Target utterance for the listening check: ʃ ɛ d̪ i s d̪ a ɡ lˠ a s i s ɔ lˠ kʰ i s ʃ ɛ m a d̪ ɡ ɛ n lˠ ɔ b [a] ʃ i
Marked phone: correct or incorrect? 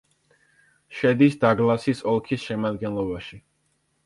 correct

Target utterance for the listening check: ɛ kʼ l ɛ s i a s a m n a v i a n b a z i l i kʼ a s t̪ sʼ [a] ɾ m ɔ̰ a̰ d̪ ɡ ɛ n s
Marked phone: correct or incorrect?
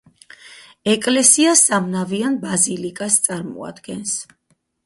correct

